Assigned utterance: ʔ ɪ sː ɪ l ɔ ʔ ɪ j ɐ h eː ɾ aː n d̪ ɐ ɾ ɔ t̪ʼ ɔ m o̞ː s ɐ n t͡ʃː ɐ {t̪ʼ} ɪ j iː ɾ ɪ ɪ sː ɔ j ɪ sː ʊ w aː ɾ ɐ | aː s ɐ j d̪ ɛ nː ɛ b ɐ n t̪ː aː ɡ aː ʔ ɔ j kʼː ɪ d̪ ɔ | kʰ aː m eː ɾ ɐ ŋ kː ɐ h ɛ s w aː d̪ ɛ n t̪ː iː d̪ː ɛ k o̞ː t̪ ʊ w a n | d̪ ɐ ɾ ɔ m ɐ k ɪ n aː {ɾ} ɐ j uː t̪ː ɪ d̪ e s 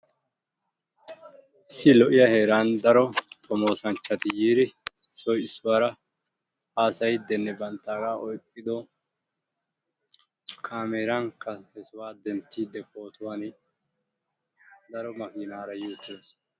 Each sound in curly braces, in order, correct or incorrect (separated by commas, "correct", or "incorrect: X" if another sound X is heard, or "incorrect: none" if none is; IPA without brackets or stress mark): incorrect: t̪, correct